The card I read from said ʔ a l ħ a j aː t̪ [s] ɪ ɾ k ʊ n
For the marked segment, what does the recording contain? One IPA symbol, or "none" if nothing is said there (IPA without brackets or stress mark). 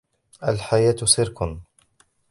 s